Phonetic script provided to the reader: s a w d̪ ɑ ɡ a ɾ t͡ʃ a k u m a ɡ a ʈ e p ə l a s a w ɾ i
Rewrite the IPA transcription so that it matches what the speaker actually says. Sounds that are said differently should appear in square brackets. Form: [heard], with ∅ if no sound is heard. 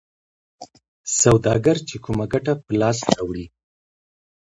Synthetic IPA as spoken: s a w d̪ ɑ ɡ a ɾ t͡ʃ [e] k u m a ɡ a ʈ [a] p ə l [ɑ] s a w [ɽ] i